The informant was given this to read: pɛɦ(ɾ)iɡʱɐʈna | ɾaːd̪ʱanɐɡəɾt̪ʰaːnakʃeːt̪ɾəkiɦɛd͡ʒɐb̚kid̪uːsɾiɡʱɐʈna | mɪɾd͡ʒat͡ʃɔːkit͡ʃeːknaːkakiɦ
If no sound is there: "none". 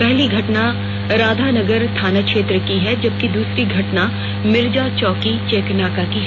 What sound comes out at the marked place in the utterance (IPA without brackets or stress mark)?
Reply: l